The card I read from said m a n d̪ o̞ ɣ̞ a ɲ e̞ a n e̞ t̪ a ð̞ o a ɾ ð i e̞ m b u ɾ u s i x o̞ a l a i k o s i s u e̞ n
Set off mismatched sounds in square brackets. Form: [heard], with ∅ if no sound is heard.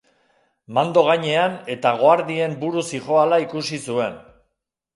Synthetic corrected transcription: m a n d̪ o̞ ɣ̞ a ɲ e̞ a n e̞ t̪ a [ɣ̞] o a ɾ ð i e̞ m b u ɾ u s i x o̞ a l a i k [u] s i s u e̞ n